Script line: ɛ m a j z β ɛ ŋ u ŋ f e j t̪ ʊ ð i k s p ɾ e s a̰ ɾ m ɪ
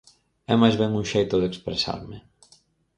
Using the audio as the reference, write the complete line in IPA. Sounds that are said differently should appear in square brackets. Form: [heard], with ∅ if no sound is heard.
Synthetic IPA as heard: ɛ m a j z β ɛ ŋ u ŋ [ʃ] e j t̪ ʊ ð [e] k s p ɾ e s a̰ ɾ m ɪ

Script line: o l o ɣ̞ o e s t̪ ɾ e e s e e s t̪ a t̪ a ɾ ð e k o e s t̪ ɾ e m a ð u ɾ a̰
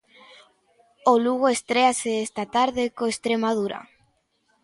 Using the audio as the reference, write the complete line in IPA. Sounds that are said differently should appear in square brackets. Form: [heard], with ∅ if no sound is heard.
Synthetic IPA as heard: o l [u] ɣ̞ o e s t̪ ɾ e [a] s e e s t̪ a t̪ a ɾ ð e k o e s t̪ ɾ e m a ð u ɾ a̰

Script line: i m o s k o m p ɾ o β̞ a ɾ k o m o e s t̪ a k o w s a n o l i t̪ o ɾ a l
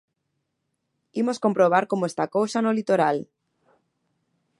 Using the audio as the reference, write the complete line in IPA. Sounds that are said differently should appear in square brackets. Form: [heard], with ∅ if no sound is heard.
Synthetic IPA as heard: i m o s k o m p ɾ o β̞ a ɾ k o m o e s t̪ a k o w s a n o l i t̪ o ɾ a l

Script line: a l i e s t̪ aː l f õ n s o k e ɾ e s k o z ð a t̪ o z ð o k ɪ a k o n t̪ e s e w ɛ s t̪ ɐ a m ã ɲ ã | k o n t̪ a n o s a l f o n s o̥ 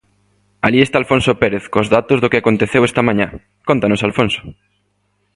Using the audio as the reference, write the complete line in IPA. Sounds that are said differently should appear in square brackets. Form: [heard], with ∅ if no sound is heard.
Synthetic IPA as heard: a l i e s t̪ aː l f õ n s o [p] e ɾ e [θ] k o z ð a t̪ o z ð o k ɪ a k o n t̪ e [θ] e w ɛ s t̪ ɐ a m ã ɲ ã | k o n t̪ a n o s a l f o n s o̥

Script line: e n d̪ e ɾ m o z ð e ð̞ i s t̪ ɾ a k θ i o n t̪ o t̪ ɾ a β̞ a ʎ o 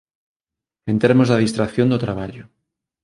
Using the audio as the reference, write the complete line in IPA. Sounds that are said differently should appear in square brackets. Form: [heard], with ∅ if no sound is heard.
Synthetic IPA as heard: e n [t̪] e ɾ m o z ð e ð̞ i s t̪ ɾ a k θ [j] o n [d̪] o t̪ ɾ a β̞ a ʎ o

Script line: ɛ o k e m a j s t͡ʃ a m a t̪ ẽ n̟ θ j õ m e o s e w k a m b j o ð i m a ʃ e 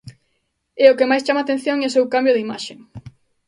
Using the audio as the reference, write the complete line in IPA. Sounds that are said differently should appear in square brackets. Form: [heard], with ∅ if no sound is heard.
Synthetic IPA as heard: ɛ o k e m a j s t͡ʃ a m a t̪ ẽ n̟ θ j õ [ŋ] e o s e w k a m b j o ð i m a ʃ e

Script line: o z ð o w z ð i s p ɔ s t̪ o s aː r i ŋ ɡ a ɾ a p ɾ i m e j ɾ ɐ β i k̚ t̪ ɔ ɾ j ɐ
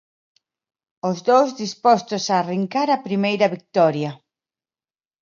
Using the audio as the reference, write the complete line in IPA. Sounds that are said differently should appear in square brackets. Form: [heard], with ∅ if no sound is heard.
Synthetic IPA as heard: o z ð o w z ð i s p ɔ s t̪ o s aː r i ŋ [k] a ɾ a p ɾ i m e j ɾ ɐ β i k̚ t̪ ɔ ɾ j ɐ

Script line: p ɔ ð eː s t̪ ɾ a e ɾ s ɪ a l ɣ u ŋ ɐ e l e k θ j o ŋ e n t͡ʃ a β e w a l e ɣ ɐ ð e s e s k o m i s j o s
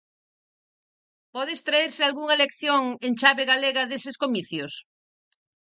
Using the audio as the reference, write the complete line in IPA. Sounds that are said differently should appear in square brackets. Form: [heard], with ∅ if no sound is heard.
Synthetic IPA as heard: p ɔ ð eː s t̪ ɾ a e ɾ s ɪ a l ɣ u ŋ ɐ e l e k θ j o ŋ e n t͡ʃ a β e [ɣ] a l e ɣ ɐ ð e s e s k o m i [θ] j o s

